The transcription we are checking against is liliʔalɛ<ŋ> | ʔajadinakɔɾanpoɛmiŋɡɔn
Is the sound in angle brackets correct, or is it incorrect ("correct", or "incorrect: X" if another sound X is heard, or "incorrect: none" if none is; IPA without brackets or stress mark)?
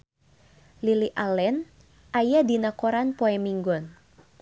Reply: incorrect: n